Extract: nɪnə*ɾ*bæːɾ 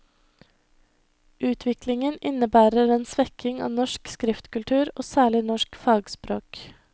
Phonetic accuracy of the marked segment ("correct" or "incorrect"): incorrect